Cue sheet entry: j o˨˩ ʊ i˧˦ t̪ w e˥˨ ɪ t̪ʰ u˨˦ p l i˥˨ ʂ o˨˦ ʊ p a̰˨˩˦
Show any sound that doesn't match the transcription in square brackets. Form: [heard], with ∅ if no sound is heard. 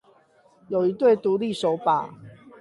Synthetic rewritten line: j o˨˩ ʊ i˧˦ t̪ w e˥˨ ɪ [t̪] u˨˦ [∅] l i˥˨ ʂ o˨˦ ʊ p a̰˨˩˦